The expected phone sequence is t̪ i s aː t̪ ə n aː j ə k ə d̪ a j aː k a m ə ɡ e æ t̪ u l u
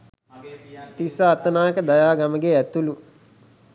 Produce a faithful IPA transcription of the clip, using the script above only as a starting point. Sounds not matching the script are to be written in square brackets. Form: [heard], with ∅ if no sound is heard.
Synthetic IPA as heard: t̪ i s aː t̪ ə n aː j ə k ə d̪ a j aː [ɡ] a m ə ɡ e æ t̪ u l u